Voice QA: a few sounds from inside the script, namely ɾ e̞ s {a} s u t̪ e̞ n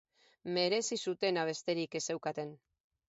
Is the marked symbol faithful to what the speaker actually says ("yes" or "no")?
no